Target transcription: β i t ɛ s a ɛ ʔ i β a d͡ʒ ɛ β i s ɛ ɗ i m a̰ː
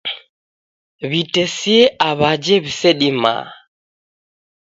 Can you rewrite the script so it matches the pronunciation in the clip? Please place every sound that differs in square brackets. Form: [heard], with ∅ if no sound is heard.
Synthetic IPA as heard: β i t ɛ s [i] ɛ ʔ [a] β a d͡ʒ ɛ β i s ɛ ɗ i m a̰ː